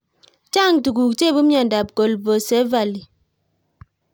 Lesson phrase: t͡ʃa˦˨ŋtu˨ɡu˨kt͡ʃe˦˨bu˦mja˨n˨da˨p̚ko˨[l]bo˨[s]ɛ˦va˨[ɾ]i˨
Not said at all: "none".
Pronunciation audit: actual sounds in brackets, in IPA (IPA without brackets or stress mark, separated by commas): l, s, l